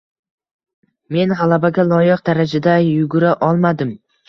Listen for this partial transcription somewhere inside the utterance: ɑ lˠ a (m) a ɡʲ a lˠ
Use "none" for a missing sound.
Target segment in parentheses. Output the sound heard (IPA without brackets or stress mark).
b